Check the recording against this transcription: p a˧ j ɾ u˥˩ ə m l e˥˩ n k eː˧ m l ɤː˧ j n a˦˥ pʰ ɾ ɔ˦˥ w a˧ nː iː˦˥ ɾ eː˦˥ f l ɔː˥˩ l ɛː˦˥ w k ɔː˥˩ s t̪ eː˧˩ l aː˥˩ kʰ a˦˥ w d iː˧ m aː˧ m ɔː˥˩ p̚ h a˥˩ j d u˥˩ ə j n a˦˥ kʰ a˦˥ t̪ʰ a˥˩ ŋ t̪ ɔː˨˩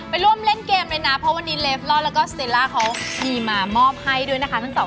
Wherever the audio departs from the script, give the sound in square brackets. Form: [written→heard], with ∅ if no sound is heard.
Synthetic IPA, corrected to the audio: p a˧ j ɾ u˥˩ ə m l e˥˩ n k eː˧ m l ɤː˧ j n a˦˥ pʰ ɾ ɔ˦˥ w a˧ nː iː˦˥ [ɾ→l] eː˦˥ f l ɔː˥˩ l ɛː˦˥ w k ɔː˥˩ s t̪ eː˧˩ l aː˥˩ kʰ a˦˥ w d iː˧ m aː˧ m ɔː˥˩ p̚ h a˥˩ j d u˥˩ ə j n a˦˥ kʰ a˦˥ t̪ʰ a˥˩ ŋ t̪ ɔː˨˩

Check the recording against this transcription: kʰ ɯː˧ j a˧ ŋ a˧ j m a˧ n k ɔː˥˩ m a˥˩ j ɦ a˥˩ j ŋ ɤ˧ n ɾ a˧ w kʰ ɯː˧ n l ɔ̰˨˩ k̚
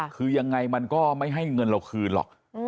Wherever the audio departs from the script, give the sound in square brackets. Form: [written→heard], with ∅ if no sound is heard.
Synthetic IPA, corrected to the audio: kʰ ɯː˧ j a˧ [ŋ→ŋː] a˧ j m a˧ n k ɔː˥˩ m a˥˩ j ɦ a˥˩ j ŋ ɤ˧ n ɾ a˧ w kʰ ɯː˧ n l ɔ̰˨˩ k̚

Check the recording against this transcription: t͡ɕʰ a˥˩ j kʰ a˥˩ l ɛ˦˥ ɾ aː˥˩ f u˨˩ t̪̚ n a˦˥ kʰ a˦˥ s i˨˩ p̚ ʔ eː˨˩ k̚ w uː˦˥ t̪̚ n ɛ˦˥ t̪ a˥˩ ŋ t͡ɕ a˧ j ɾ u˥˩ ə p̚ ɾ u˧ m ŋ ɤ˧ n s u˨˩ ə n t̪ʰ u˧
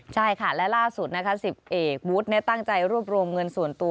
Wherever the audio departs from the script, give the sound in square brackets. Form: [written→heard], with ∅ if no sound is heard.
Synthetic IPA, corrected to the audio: t͡ɕʰ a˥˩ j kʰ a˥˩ l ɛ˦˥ [ɾ→l] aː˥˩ [f→s] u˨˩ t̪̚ n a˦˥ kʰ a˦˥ s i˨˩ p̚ ʔ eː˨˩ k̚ w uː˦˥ t̪̚ n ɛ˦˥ t̪ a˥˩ ŋ t͡ɕ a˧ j ɾ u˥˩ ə p̚ ɾ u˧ m ŋ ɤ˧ n s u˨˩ ə n [t̪ʰ→t̪] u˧

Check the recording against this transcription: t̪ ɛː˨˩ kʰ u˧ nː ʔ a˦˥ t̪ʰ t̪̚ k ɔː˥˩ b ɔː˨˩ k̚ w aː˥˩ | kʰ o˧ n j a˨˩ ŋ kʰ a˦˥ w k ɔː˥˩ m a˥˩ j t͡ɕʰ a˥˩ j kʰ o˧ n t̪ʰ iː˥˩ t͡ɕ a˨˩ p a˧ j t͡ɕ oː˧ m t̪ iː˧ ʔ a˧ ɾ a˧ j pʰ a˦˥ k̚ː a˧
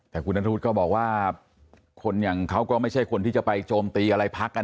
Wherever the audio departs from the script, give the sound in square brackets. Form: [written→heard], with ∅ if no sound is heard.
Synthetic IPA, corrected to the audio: t̪ ɛː˨˩ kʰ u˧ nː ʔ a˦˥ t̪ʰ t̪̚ k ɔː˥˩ b ɔː˨˩ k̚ w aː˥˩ | kʰ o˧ n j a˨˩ ŋ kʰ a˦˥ w k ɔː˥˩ m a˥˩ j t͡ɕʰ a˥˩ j kʰ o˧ n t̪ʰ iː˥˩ t͡ɕ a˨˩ p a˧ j t͡ɕ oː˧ m t̪ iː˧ ʔ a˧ ɾ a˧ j pʰ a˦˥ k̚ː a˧

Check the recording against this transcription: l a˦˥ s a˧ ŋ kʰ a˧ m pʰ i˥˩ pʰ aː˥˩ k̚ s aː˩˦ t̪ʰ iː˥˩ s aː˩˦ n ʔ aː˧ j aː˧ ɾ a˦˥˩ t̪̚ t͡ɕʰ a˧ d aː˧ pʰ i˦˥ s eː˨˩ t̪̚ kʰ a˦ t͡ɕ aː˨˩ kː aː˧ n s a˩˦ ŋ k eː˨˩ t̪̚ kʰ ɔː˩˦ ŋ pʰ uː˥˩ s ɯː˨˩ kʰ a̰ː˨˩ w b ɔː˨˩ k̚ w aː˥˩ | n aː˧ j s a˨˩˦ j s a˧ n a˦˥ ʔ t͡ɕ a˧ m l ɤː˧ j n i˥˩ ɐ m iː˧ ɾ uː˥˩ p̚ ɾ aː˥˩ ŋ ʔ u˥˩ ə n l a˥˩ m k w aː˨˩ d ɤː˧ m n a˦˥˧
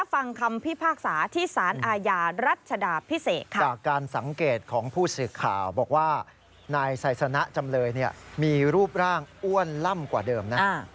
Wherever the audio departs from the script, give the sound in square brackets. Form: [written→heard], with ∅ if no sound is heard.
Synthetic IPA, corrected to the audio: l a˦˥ [s→f] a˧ ŋ kʰ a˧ m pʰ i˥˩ pʰ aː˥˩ k̚ s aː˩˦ t̪ʰ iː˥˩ s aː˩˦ n ʔ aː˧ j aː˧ ɾ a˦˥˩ t̪̚ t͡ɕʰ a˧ d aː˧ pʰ i˦˥ s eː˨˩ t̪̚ kʰ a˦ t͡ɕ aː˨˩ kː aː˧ n s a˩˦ ŋ k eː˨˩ t̪̚ kʰ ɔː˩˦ ŋ pʰ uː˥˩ s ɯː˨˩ kʰ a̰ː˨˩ w b ɔː˨˩ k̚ w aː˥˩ | n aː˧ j s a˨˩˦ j s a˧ n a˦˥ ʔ t͡ɕ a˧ m l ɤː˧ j n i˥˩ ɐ m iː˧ ɾ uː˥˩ p̚ ɾ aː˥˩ ŋ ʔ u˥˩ ə n l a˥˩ m k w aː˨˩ d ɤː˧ m n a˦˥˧

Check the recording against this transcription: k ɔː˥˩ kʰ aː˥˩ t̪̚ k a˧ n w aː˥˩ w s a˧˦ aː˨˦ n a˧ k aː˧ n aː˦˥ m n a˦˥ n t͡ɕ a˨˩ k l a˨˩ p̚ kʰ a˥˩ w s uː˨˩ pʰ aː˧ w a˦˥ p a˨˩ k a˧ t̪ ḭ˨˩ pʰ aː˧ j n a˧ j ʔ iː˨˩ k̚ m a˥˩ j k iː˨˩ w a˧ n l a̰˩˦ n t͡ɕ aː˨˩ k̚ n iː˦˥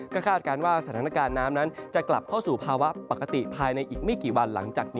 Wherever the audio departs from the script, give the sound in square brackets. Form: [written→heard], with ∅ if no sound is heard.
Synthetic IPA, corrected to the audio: k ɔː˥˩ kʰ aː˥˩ t̪̚ k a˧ n w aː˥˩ [w→∅] s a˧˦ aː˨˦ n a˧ k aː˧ [n→nː] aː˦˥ m n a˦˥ n t͡ɕ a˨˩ k l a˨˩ p̚ kʰ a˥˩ w s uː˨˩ pʰ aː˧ w a˦˥ p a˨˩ k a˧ t̪ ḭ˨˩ pʰ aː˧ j n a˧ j ʔ iː˨˩ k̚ m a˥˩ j k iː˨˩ w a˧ n l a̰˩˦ [n→ŋ] t͡ɕ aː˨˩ k̚ n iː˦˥

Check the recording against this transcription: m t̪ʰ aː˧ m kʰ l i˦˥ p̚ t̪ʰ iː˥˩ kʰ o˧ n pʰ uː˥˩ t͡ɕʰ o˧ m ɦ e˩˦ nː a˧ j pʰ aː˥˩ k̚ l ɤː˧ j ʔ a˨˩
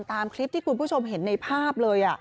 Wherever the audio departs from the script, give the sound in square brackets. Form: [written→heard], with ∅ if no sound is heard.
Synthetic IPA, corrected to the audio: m [t̪ʰ→t̪] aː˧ m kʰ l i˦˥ p̚ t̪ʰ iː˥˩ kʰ [o˧→u˧] n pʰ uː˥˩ t͡ɕʰ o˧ m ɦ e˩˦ nː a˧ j pʰ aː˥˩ [k̚→p̚] l ɤː˧ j ʔ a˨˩

